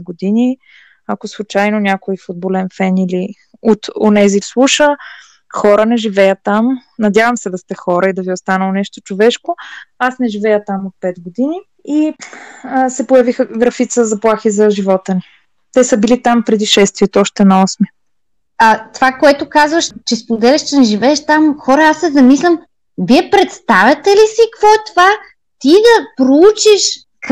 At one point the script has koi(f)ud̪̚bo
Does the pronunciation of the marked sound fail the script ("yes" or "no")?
no